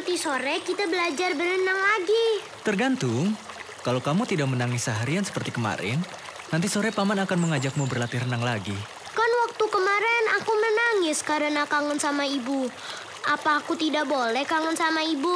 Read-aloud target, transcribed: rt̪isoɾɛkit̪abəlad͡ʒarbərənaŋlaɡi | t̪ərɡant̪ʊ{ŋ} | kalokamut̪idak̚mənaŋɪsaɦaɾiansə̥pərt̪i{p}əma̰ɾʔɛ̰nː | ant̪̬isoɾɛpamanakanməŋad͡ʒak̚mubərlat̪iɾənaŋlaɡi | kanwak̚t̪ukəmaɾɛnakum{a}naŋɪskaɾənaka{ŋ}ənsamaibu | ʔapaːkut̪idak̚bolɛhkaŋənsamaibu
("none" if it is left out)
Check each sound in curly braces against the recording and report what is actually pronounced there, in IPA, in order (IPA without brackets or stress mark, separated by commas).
ŋ, k, ə, ŋ